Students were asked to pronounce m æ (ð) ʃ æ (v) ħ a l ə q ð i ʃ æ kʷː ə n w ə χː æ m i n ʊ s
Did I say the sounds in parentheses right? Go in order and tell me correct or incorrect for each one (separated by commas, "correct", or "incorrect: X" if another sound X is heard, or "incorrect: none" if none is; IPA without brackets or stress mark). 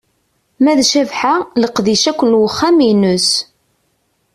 correct, correct